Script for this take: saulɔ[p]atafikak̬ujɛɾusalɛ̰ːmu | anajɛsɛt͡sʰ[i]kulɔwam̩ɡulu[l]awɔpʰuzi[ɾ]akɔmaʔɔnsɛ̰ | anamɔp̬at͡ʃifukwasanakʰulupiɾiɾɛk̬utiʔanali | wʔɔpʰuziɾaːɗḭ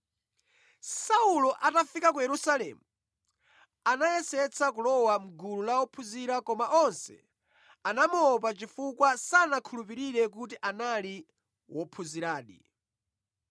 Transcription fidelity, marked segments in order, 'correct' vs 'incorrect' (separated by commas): incorrect, incorrect, correct, correct